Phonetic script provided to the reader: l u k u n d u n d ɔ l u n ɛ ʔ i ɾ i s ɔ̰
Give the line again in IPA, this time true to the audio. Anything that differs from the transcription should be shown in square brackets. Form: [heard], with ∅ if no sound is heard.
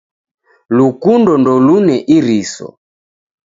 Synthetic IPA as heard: l u k u n d [ɔ] n d ɔ l u n ɛ ʔ i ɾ i s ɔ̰